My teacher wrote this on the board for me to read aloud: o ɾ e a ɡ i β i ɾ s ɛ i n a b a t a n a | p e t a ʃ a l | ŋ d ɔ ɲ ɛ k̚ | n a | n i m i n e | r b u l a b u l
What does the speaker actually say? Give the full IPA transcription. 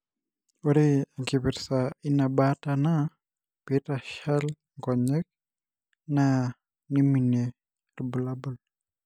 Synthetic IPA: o ɾ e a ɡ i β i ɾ s a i n a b a t a n a | p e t a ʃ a l | ŋ ɡ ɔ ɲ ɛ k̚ | n a | n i m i n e | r b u l a b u l